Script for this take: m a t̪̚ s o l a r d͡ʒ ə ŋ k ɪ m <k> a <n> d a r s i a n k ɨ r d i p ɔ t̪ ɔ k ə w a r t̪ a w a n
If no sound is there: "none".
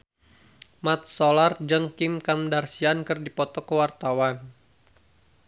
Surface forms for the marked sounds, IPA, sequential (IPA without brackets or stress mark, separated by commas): k, m